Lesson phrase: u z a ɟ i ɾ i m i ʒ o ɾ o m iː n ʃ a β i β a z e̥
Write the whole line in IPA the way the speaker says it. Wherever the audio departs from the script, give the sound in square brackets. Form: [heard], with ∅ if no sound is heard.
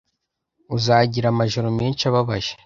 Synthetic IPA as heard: u z a ɟ i ɾ [a] m [a] ʒ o ɾ o m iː n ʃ a β [a] β a [ʒ] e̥